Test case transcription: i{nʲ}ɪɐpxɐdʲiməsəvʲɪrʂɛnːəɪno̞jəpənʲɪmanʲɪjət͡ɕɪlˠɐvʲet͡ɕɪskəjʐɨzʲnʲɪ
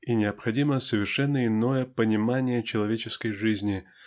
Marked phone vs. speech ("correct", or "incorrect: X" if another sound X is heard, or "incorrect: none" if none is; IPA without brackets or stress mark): correct